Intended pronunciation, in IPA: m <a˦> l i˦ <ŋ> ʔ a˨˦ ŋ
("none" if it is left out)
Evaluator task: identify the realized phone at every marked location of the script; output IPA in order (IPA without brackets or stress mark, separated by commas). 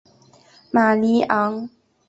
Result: a˨, none